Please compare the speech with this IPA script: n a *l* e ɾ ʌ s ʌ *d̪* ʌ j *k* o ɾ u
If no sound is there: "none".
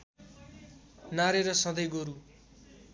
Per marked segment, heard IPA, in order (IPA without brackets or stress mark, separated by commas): ɾ, d̪, ɡ